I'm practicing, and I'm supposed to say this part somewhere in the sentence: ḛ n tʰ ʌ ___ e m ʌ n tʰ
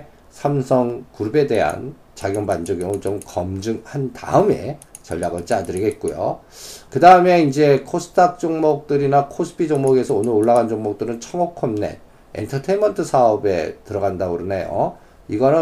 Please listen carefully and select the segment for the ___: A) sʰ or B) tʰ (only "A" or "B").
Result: B